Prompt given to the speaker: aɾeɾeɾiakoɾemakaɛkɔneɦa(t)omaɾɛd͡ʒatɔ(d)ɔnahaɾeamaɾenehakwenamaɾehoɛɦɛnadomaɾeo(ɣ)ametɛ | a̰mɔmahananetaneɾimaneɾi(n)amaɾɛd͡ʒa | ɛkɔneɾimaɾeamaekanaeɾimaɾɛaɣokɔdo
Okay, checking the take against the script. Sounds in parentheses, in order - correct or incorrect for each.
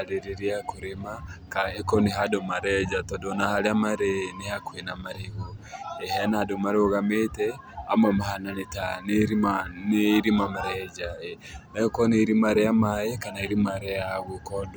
incorrect, correct, correct, incorrect

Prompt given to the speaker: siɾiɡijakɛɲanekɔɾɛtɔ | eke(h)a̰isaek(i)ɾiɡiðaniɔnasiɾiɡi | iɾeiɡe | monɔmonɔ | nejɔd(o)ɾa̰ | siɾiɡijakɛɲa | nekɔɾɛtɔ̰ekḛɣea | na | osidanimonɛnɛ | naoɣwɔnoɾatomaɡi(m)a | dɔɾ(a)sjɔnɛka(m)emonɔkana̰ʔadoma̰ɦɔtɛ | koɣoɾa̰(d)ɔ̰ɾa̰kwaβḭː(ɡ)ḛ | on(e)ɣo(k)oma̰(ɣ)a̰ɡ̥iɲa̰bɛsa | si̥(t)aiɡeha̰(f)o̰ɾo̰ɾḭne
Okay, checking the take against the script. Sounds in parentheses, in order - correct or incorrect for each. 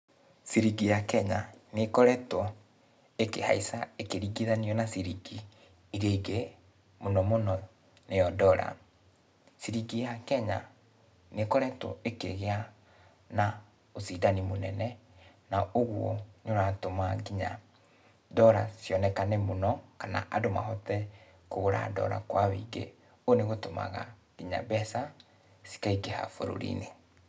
correct, incorrect, incorrect, incorrect, correct, incorrect, correct, correct, correct, incorrect, correct, incorrect, correct

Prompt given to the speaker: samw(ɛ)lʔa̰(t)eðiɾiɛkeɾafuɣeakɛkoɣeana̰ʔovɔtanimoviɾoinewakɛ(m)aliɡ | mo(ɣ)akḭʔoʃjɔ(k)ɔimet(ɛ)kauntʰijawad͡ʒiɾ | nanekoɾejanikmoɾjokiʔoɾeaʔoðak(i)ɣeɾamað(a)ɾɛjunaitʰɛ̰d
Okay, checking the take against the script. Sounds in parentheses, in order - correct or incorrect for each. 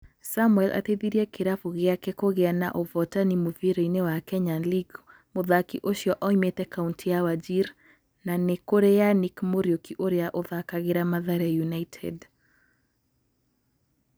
correct, correct, incorrect, incorrect, incorrect, correct, incorrect, correct

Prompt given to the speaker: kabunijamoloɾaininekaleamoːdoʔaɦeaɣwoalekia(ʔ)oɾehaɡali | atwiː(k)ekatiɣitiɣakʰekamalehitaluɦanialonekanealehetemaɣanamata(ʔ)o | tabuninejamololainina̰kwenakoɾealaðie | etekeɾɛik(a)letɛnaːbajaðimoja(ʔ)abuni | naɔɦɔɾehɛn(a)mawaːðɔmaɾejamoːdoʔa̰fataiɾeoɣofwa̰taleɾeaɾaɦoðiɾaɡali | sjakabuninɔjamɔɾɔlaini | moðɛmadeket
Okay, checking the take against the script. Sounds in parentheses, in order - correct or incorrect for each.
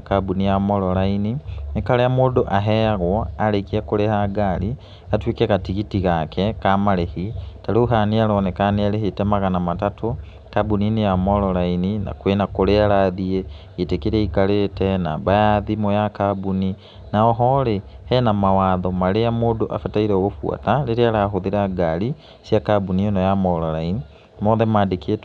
incorrect, correct, incorrect, correct, incorrect, correct

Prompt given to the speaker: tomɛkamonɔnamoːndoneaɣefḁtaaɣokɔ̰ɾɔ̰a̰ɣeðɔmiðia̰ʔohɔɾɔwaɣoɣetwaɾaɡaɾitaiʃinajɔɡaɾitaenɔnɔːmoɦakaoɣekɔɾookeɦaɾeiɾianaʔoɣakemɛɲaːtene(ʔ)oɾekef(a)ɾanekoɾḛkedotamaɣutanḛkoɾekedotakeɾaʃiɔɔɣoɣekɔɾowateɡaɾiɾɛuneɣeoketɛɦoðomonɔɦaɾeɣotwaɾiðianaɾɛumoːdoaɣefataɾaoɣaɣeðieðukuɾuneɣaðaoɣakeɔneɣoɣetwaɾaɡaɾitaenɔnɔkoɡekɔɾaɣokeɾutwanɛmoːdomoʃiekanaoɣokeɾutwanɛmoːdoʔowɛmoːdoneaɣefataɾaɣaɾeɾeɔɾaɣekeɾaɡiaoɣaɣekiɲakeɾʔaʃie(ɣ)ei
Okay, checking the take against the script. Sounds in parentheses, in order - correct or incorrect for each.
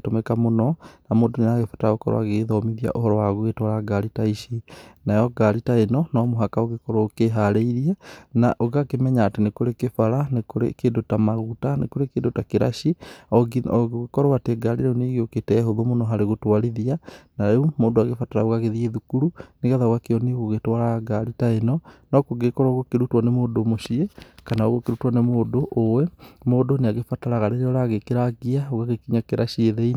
incorrect, correct, incorrect

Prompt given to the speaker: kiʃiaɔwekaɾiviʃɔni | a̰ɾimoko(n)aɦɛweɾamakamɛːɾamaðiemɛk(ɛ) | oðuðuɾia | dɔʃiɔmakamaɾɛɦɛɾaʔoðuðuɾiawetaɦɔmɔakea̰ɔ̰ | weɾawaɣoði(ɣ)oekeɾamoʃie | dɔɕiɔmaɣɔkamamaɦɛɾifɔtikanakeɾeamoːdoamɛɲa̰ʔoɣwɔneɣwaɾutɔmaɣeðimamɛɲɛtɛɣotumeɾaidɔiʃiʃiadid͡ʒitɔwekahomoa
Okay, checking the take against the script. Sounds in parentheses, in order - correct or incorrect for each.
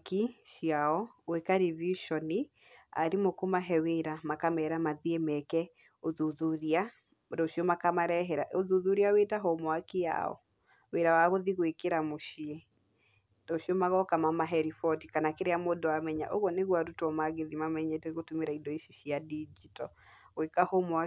incorrect, correct, correct

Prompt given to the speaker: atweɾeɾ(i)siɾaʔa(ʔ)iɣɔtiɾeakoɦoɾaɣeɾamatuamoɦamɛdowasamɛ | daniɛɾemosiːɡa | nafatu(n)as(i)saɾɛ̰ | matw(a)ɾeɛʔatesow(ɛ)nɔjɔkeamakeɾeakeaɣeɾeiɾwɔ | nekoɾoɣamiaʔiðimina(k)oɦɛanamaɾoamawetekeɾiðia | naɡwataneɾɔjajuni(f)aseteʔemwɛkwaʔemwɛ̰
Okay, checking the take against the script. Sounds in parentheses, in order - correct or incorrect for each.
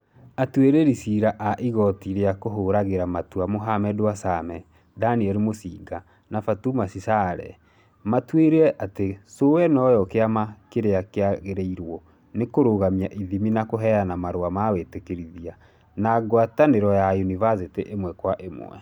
correct, correct, incorrect, correct, incorrect, correct, correct, incorrect

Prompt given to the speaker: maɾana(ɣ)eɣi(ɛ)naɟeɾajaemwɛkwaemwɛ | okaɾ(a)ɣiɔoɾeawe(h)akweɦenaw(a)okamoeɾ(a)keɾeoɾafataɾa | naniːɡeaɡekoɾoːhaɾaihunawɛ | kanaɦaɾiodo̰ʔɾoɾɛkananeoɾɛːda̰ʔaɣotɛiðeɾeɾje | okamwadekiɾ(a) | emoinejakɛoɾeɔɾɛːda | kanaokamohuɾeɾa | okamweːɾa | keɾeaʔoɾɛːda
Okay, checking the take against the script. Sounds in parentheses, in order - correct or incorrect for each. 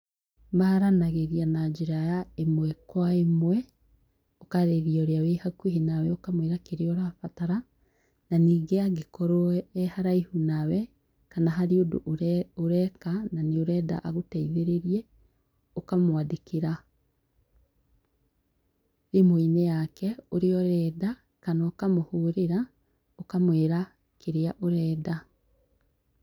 correct, incorrect, incorrect, correct, incorrect, correct, correct

